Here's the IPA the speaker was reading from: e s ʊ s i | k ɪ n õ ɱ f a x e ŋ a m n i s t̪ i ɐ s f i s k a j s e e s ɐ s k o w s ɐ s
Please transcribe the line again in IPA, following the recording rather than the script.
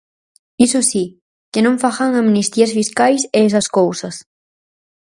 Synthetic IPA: i s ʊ s i | k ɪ n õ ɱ f a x a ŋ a m n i s t̪ i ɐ s f i s k a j s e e s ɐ s k o w s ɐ s